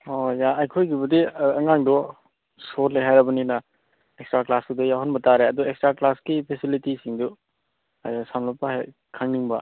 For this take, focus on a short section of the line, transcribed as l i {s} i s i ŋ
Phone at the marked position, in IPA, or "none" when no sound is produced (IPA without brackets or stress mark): t